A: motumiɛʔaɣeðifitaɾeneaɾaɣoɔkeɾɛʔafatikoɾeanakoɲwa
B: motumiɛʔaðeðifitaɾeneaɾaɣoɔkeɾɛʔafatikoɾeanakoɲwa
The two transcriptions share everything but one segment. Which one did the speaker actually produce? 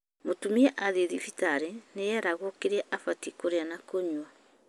B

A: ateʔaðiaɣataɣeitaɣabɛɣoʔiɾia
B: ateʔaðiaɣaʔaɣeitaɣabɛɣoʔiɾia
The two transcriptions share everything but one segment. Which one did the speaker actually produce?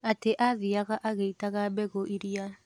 B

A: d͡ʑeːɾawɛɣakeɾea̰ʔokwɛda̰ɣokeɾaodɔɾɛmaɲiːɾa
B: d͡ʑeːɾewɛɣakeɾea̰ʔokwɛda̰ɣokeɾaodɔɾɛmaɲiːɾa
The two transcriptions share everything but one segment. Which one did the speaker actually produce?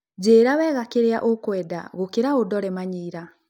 A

